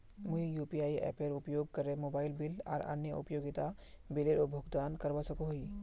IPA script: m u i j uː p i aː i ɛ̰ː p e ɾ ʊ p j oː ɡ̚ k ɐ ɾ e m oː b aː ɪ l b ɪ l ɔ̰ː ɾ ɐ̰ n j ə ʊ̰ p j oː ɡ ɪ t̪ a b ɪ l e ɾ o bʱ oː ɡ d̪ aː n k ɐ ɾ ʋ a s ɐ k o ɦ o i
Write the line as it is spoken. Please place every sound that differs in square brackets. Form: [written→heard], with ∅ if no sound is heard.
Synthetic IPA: m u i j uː p i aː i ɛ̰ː p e ɾ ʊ p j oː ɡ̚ k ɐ ɾ e m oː b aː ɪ l b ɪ l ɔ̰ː ɾ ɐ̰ n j ə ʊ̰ p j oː ɡ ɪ t̪ a b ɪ l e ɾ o bʱ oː ɡ d̪ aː n k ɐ ɾ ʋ a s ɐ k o ɦ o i